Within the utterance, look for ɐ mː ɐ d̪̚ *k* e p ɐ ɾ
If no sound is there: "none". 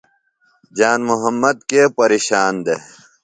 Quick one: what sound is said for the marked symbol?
k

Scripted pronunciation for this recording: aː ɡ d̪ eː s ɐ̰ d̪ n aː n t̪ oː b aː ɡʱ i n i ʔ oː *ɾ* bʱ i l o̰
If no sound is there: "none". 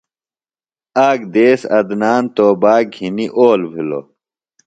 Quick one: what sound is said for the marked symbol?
l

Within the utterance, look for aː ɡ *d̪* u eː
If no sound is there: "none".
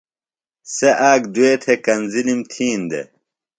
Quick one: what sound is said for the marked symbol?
d̪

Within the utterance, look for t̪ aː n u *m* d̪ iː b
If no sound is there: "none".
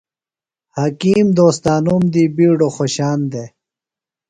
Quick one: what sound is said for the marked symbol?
m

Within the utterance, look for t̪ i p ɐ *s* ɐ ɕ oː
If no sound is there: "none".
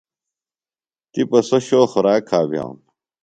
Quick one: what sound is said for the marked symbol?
s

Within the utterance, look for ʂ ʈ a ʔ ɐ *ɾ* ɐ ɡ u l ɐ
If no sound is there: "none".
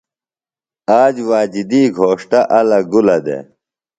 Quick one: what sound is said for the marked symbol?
l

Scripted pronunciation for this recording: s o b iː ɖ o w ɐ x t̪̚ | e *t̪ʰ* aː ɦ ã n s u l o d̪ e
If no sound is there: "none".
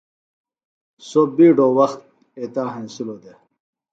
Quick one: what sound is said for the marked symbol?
t̪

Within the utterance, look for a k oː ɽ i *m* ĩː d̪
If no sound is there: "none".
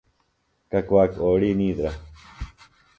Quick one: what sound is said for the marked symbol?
n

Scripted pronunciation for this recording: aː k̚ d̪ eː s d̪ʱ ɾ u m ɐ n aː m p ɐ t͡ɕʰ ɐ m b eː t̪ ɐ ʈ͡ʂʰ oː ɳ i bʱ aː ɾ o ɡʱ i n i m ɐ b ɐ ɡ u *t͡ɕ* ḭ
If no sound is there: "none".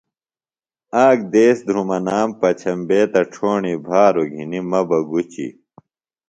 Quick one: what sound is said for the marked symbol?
t͡ɕ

